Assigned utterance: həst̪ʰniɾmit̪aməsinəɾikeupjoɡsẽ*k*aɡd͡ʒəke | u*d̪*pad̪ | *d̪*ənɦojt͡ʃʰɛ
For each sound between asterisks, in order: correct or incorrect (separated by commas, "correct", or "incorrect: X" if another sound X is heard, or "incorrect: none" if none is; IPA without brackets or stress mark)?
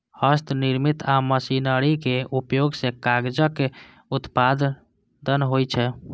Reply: correct, incorrect: t̪, correct